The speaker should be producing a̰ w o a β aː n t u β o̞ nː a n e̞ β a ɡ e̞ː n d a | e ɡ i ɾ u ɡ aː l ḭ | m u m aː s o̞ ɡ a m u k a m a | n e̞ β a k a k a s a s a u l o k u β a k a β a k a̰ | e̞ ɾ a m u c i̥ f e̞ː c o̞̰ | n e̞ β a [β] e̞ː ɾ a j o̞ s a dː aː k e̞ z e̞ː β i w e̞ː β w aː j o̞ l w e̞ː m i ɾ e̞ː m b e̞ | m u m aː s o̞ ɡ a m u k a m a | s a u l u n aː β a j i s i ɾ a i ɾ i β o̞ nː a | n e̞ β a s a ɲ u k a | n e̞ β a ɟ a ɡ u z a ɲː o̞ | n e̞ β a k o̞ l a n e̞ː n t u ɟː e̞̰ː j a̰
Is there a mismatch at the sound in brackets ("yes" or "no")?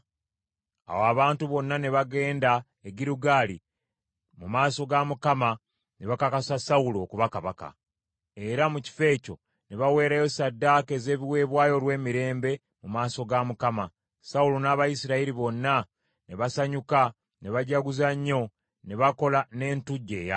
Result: yes